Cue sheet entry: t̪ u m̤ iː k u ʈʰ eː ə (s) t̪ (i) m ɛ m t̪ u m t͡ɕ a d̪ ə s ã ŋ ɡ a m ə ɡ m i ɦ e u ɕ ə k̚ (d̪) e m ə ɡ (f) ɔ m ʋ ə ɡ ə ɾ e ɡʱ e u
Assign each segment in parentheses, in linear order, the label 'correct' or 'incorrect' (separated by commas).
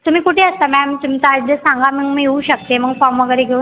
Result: correct, incorrect, incorrect, correct